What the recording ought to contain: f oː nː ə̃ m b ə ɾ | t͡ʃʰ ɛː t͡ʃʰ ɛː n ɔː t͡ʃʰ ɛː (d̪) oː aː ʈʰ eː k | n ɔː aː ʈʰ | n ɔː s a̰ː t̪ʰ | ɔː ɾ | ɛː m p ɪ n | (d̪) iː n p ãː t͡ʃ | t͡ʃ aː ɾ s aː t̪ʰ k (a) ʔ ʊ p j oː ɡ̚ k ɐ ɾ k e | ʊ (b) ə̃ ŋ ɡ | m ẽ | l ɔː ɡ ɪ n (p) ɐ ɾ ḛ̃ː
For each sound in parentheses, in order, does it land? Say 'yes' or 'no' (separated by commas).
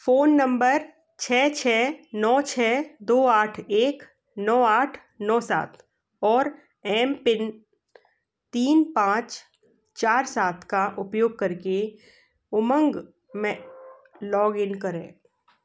yes, no, yes, no, no